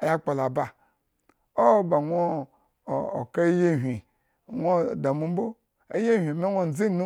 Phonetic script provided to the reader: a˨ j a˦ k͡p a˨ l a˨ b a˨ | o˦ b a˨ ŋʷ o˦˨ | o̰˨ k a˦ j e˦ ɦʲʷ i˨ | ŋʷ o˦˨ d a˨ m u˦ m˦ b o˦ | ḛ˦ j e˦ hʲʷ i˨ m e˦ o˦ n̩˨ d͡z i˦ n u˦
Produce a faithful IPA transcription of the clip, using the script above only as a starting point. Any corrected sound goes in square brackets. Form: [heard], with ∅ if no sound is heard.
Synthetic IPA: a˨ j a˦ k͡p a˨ l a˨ b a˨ | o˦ b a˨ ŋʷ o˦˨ | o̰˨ k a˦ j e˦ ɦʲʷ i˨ | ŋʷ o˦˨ d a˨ m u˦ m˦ b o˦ | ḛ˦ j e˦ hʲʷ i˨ m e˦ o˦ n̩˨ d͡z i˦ n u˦